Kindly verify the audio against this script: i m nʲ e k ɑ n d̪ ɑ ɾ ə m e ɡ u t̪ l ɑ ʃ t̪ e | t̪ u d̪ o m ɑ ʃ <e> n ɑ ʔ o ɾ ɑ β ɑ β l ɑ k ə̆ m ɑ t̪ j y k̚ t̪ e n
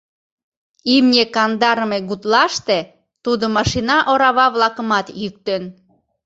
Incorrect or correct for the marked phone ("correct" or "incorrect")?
incorrect